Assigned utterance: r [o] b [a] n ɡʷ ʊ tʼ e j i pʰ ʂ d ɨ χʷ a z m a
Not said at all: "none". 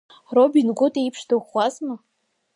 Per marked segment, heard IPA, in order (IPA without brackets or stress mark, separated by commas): o, i